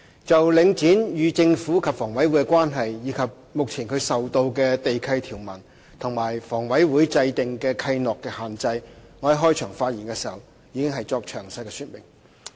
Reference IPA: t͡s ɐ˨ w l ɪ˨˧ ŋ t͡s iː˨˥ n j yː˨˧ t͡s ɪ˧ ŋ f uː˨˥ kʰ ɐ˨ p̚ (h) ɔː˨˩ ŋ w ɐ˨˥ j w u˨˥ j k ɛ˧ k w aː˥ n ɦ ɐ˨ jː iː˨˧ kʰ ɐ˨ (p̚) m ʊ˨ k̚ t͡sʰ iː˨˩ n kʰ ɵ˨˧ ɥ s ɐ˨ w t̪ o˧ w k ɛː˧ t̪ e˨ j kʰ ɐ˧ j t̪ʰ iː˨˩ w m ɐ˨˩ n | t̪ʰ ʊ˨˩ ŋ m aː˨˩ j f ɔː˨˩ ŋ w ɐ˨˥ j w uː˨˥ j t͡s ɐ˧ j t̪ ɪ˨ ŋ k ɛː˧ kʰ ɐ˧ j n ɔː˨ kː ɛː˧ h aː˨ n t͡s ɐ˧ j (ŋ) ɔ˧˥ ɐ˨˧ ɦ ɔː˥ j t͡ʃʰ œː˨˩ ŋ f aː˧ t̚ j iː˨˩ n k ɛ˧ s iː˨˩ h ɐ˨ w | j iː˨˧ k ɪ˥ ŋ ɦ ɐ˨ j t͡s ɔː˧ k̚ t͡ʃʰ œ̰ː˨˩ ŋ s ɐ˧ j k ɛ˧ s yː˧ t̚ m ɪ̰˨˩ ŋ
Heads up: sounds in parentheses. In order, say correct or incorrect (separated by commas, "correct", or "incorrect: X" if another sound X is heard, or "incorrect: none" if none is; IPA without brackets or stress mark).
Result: incorrect: f, correct, correct